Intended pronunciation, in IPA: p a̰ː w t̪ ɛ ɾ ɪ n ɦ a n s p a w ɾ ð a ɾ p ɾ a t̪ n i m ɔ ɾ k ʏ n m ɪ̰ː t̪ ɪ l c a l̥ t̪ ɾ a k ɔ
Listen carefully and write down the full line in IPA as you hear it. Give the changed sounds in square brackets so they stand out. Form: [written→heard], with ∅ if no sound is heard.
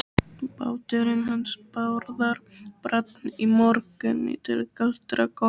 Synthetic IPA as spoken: p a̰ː w t̪ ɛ ɾ ɪ n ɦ a n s p a w ɾ ð a ɾ p ɾ a t̪ n i m ɔ ɾ k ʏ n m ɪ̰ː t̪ ɪ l [c→k] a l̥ t̪ ɾ a k ɔ